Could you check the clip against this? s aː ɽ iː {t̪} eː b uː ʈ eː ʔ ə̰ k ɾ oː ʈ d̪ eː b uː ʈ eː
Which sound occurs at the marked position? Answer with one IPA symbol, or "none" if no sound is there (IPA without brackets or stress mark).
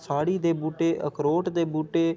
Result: d̪